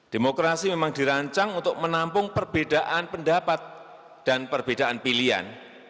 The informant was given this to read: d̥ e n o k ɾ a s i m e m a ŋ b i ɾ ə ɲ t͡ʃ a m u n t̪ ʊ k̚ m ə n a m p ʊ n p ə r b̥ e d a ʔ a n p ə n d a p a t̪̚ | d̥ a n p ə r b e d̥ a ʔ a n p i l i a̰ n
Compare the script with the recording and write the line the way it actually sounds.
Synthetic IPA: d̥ e m o k ɾ a s i m e m a ŋ d i ɾ a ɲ t͡ʃ a ŋ u n t̪ ʊ k̚ m ə n a m p ʊ ŋ p ə r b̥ e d a ʔ a n p ə n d a p a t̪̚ | d̥ a n p ə r b e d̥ a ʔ a n p i l i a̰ n